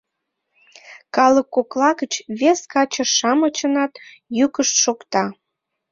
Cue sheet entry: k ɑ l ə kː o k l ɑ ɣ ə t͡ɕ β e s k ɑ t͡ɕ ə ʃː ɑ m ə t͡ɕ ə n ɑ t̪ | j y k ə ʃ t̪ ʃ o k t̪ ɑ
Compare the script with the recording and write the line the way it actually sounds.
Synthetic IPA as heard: k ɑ l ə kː o k l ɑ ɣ ə t͡ɕ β e s k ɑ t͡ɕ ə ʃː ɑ m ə t͡ɕ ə n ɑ t̪ | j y k ə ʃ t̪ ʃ o k t̪ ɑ